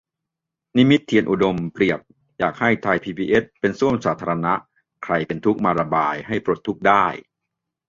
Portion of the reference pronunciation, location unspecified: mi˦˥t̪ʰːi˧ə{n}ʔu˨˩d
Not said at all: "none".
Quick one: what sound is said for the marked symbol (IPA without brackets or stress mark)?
n